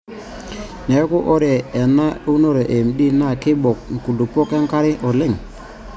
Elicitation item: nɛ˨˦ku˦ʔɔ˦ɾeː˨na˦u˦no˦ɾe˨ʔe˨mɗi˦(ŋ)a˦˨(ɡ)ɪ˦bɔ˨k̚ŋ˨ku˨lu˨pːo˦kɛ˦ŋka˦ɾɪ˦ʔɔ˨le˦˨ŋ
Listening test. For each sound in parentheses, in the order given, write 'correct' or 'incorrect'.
incorrect, incorrect

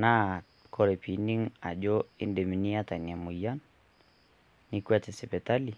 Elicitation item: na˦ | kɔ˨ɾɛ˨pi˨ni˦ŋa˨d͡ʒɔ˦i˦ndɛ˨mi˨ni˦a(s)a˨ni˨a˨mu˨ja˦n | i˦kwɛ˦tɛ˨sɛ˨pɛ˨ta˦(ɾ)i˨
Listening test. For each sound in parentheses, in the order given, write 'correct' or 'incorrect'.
incorrect, incorrect

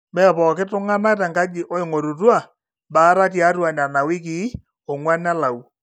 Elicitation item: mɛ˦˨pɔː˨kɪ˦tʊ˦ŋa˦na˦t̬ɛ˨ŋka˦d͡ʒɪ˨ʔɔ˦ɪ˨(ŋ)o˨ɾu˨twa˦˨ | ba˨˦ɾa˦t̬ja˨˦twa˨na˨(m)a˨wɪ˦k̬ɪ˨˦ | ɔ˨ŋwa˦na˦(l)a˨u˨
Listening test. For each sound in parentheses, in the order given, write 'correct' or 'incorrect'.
correct, incorrect, correct

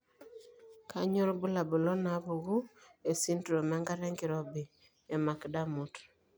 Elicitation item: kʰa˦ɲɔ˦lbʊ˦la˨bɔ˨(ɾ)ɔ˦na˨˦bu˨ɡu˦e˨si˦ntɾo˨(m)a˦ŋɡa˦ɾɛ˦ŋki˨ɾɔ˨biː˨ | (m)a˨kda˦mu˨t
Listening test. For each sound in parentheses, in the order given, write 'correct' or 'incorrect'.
incorrect, correct, correct

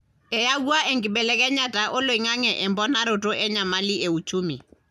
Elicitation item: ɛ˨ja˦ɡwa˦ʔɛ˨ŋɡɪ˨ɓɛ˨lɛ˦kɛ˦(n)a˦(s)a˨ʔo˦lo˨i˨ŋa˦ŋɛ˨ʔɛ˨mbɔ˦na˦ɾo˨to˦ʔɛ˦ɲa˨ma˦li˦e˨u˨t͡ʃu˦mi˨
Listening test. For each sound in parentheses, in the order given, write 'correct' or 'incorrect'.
incorrect, incorrect

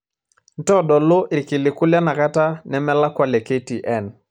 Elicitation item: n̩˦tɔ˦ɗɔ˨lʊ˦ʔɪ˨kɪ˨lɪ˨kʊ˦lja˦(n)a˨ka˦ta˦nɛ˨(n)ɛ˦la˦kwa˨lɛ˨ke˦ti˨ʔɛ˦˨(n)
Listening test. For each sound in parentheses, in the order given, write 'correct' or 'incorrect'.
correct, incorrect, correct

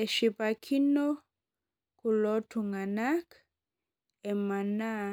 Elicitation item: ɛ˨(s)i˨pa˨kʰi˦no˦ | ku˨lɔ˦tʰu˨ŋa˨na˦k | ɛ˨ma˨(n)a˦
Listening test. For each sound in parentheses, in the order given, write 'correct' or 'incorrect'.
incorrect, correct

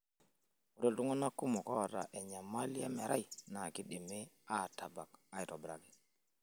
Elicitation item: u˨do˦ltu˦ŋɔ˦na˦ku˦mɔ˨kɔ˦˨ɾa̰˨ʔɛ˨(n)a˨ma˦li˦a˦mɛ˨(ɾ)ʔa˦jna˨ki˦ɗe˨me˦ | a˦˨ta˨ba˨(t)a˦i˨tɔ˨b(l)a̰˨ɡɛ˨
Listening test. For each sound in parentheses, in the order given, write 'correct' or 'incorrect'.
incorrect, correct, incorrect, incorrect

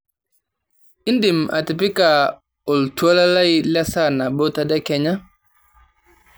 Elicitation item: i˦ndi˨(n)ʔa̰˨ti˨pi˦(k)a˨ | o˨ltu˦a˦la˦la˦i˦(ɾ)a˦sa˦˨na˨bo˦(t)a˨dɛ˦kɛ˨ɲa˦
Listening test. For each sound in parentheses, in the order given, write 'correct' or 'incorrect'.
incorrect, correct, incorrect, correct

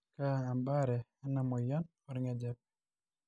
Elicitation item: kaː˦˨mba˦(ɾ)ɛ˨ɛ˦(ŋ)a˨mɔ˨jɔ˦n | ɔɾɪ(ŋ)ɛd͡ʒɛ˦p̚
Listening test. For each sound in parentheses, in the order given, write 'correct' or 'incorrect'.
correct, incorrect, correct

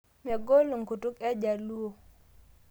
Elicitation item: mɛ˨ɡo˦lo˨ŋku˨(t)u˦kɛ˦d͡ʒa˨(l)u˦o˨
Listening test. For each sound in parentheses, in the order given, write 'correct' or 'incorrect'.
correct, correct

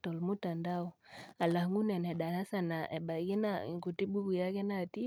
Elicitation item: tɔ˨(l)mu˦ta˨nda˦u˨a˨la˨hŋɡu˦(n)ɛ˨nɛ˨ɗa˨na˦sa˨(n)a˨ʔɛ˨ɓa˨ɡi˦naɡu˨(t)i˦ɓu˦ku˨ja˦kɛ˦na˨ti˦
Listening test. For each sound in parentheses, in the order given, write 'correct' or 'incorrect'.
correct, correct, correct, correct

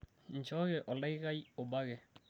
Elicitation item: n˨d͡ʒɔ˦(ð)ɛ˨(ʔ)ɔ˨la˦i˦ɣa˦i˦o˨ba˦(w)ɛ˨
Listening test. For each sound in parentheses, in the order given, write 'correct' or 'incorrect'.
incorrect, correct, incorrect

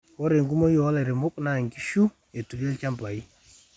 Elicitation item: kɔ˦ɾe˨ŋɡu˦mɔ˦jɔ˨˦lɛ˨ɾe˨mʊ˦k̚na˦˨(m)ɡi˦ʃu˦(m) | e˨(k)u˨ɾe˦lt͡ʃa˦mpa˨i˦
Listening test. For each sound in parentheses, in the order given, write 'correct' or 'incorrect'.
incorrect, incorrect, incorrect

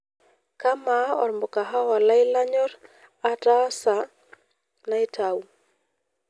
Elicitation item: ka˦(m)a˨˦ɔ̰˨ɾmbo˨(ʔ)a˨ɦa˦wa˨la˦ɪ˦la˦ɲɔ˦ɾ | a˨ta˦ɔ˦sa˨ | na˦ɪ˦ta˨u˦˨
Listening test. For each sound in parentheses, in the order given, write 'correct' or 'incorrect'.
correct, incorrect

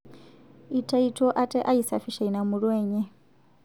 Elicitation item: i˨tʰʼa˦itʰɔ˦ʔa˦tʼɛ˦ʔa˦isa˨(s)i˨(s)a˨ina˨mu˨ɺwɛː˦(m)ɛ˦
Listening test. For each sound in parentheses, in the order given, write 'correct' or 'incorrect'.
incorrect, incorrect, incorrect

